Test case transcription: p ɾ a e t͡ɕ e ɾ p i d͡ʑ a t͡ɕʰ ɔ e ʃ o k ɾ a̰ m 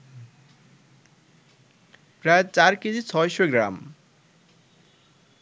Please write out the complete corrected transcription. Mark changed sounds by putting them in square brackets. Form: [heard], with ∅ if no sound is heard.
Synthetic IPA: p ɾ a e t͡ɕ [a] ɾ [k] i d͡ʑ [i] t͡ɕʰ ɔ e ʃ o [ɡ] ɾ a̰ m